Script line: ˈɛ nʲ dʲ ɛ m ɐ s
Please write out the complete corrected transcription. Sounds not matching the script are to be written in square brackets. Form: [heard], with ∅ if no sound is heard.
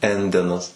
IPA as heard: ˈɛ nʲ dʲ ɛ [n] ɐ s